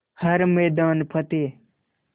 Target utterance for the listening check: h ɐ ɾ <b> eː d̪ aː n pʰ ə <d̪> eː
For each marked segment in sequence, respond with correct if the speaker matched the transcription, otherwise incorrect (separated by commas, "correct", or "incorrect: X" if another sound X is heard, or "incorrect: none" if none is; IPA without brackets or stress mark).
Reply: incorrect: m, incorrect: t̪